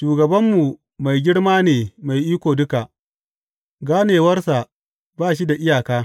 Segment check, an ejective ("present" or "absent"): absent